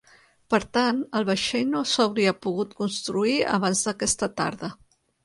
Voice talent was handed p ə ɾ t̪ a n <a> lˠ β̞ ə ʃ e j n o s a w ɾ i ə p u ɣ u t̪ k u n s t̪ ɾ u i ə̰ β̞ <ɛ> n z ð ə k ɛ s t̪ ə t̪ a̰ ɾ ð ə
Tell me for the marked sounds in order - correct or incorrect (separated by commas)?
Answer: incorrect, incorrect